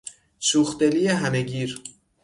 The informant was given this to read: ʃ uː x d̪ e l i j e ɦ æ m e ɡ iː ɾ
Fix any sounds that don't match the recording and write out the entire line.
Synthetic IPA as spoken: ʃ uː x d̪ e l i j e ɦ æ m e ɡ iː ɾ

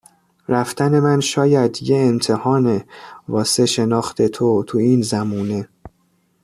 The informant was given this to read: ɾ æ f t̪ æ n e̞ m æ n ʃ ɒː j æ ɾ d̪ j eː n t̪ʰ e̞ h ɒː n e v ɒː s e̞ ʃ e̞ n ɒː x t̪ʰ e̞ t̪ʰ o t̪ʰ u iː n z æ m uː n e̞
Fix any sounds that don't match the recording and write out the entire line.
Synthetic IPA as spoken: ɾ æ f t̪ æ n e̞ m æ n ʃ ɒː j æ d̪ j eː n t̪ʰ e̞ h ɒː n e v ɒː s e̞ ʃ e̞ n ɒː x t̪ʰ e̞ t̪ʰ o t̪ʰ u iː n z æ m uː n e̞

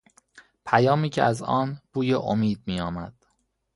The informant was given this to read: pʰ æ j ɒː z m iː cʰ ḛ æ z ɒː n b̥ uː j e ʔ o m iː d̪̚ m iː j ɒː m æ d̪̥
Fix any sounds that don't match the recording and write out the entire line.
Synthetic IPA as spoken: pʰ æ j ɒː m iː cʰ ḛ æ z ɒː n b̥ uː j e ʔ o m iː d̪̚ m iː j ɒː m æ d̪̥

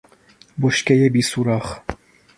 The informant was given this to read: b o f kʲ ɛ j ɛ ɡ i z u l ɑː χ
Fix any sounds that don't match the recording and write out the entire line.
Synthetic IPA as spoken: b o ʃ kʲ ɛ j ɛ b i s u ɾ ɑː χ

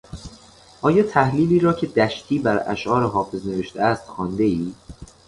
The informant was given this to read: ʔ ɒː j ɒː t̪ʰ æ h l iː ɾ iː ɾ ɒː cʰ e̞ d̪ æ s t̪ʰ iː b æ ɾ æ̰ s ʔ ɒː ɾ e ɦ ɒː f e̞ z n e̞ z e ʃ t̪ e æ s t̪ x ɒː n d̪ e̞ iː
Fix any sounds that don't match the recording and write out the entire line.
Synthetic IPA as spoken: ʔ ɒː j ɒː t̪ʰ æ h l iː l iː ɾ ɒː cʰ e̞ d̪ æ ʃ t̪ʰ iː b æ ɾ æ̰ ʃ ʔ ɒː ɾ e ɦ ɒː f e̞ z n e̞ v e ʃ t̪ e æ s t̪ x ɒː n d̪ e̞ iː

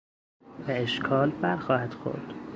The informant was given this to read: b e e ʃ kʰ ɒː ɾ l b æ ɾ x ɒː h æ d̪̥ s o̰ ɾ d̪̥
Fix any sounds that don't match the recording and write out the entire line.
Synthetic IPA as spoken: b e e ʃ kʰ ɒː l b æ ɾ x ɒː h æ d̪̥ x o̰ ɾ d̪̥

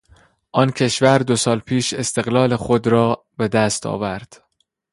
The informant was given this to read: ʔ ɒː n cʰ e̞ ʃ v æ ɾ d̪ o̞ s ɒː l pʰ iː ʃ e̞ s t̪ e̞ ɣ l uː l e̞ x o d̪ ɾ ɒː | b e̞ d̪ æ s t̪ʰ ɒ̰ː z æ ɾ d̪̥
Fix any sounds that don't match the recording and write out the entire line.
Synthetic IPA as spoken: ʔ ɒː n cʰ e̞ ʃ v æ ɾ d̪ o̞ s ɒː l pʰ iː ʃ e̞ s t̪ e̞ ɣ l ɒː l e̞ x o d̪ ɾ ɒː | b e̞ d̪ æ s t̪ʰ ɒ̰ː v æ ɾ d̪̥

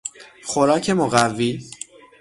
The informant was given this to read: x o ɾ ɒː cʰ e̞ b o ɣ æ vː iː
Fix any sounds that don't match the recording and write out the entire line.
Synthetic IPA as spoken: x o ɾ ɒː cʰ e̞ m o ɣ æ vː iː

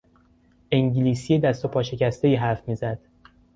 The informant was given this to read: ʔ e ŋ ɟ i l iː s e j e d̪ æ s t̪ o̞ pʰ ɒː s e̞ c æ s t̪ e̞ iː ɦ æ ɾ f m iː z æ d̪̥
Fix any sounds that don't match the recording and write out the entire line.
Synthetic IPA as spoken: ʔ e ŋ ɟ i l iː s i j e d̪ æ s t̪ o̞ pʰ ɒː ʃ e̞ c æ s t̪ e̞ iː ɦ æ ɾ f m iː z æ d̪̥

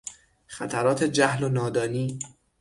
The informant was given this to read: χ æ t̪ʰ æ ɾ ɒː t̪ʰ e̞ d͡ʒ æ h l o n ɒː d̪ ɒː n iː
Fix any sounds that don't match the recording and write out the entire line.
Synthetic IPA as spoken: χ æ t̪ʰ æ ɾ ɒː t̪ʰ e̞ d͡ʒ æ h l o n ɒː d̪ ɒː n iː

